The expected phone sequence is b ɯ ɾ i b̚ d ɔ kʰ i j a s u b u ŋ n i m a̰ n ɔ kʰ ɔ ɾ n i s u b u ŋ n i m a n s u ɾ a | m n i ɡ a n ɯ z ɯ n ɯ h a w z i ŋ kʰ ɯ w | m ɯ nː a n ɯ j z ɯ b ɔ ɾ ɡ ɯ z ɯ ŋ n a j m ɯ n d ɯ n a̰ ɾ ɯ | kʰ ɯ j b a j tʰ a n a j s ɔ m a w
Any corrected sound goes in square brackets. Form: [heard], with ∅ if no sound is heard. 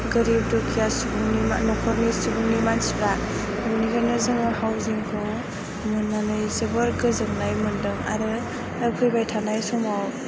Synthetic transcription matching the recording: [ɡ] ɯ ɾ i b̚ d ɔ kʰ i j a s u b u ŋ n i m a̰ n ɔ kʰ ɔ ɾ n i s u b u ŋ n i m a n s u ɾ a | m n i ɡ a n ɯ z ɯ [ŋ] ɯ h a w z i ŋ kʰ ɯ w | m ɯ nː a n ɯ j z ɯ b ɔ ɾ ɡ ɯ z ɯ ŋ n a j m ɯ n d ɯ [ŋ] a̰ ɾ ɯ | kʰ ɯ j b a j tʰ a n a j s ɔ m a w